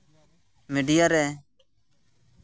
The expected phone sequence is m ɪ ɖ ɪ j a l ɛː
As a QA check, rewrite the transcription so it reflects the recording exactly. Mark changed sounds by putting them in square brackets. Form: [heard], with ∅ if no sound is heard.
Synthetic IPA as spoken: m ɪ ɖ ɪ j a [ɾ] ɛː